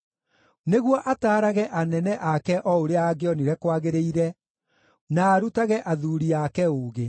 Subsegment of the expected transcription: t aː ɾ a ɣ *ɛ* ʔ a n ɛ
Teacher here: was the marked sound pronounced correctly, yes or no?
yes